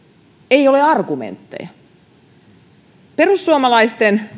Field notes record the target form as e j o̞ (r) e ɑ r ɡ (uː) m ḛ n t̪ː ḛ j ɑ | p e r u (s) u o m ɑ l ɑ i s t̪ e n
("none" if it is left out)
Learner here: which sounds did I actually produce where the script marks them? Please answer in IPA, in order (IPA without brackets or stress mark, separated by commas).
l, u, sː